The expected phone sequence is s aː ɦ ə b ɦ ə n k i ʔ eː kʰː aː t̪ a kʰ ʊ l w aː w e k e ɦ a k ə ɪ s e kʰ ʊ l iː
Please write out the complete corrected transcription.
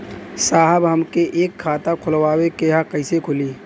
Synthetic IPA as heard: s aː ɦ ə b ɦ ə m k e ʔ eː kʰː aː t̪ a kʰ ʊ l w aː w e k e ɦ a k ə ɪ s e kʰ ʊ l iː